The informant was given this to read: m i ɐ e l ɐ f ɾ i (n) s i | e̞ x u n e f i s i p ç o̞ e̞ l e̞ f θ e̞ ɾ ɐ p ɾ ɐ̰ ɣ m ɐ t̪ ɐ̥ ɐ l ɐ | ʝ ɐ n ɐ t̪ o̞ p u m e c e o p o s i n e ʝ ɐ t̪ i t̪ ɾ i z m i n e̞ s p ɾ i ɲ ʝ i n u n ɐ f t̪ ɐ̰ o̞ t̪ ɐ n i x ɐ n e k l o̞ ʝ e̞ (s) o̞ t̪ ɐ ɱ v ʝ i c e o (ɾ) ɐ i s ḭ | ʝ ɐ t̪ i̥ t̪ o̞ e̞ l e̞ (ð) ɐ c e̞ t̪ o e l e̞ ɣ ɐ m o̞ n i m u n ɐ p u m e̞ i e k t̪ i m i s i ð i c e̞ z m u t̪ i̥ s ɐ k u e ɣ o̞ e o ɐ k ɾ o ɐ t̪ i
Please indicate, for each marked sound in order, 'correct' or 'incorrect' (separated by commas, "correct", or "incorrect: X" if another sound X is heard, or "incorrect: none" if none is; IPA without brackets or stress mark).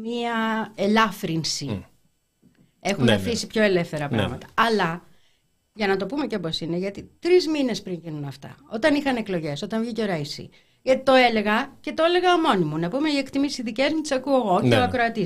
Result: correct, correct, correct, incorrect: ɣ